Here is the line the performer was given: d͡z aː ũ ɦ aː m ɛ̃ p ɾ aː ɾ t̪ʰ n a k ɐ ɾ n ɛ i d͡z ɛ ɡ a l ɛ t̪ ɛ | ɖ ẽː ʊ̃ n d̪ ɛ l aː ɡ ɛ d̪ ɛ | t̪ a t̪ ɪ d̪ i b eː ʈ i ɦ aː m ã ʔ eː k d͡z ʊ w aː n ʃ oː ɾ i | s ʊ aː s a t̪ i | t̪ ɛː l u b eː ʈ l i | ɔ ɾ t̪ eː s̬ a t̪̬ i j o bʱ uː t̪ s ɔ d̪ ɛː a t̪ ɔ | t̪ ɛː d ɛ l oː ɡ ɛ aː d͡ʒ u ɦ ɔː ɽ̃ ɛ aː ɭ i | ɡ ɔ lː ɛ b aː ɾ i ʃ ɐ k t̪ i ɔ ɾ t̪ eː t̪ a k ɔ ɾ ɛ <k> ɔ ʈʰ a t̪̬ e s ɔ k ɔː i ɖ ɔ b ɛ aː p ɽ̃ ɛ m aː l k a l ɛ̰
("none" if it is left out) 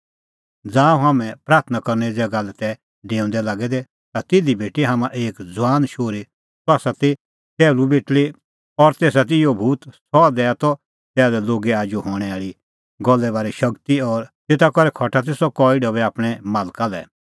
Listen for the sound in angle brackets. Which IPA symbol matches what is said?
kʰ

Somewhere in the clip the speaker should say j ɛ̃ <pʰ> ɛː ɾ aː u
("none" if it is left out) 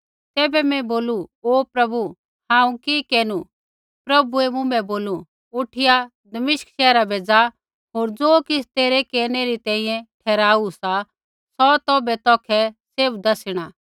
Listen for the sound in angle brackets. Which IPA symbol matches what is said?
ʈʰ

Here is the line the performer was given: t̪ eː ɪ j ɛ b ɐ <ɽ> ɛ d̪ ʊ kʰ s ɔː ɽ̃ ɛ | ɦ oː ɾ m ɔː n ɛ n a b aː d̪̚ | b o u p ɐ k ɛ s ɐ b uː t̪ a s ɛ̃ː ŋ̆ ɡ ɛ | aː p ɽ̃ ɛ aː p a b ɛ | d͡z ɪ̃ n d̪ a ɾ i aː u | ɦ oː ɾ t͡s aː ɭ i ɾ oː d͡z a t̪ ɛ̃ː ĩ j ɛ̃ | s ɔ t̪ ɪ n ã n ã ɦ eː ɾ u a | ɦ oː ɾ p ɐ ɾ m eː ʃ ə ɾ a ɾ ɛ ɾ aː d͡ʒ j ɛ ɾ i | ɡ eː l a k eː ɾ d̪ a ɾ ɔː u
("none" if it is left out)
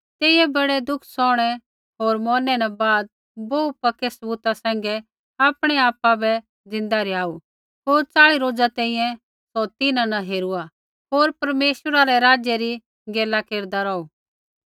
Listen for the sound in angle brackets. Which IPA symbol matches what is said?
ɽ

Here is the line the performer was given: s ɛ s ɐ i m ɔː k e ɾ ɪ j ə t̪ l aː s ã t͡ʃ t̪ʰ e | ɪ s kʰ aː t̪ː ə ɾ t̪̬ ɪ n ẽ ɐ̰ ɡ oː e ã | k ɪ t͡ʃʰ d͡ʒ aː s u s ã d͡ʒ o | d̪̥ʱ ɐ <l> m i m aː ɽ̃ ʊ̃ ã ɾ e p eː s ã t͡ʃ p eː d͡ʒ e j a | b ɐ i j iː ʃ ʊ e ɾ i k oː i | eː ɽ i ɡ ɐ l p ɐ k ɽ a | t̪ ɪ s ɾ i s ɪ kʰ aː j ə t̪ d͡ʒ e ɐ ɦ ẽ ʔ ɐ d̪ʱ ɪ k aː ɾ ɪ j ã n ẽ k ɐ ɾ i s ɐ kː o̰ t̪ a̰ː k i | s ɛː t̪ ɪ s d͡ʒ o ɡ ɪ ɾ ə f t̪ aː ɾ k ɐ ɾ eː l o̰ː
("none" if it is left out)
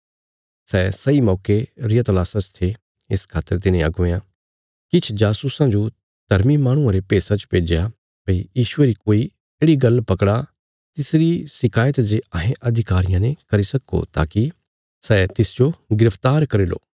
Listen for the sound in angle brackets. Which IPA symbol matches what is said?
ɾ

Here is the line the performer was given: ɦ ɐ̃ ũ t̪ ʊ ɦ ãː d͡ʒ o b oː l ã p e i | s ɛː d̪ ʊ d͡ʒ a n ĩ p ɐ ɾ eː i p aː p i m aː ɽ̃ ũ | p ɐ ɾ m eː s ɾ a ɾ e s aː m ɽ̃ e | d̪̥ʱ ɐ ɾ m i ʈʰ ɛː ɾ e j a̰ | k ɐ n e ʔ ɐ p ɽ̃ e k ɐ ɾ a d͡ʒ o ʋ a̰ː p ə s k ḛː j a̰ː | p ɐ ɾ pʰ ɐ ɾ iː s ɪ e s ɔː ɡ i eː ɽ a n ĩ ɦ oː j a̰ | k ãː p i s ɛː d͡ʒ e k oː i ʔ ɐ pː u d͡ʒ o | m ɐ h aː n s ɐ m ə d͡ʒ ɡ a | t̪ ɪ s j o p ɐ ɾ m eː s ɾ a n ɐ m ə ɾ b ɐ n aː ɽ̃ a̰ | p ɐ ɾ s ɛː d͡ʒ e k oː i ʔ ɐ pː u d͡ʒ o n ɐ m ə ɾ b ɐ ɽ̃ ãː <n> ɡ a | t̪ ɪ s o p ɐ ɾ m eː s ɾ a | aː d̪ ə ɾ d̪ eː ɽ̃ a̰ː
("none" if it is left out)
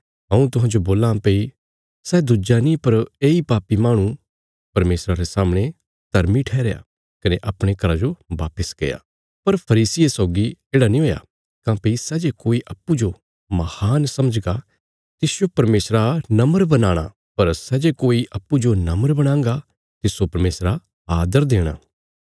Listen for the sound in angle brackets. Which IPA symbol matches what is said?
ŋ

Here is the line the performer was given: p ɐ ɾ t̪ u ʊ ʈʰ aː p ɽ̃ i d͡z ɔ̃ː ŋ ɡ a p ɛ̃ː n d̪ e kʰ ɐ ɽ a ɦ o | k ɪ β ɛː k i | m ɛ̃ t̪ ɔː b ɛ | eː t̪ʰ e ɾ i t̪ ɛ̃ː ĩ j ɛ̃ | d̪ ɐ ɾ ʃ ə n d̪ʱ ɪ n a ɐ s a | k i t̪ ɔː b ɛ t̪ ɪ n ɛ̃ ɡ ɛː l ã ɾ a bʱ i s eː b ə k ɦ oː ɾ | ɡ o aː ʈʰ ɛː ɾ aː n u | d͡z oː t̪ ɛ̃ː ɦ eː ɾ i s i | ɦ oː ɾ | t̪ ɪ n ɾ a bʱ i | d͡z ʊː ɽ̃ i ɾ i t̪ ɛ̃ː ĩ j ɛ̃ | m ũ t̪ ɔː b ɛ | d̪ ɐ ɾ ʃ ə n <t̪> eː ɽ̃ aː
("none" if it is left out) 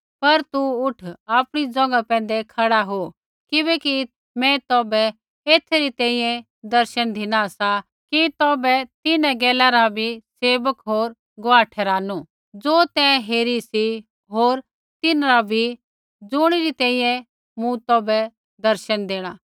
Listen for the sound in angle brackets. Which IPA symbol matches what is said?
d̪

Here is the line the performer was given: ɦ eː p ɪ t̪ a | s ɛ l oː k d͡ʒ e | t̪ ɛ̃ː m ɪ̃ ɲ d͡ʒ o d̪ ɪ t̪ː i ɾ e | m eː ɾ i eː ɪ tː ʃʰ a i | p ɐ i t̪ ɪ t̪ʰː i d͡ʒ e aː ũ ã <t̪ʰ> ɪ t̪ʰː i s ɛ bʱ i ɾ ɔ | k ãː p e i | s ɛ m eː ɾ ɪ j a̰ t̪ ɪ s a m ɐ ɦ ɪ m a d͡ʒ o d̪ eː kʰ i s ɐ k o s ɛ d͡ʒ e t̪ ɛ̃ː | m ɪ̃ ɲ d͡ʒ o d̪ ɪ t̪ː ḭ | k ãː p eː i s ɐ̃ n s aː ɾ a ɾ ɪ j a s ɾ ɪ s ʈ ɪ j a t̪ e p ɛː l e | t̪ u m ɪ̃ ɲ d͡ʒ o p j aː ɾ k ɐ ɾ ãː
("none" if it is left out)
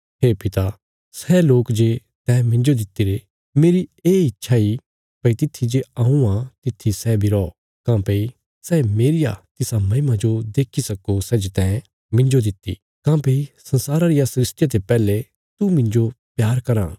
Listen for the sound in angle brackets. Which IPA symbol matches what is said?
t̪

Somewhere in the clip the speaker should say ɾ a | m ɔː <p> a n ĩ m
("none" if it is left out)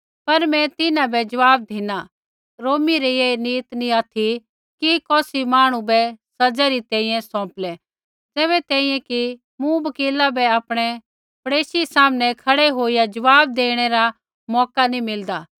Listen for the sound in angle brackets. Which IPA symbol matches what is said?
k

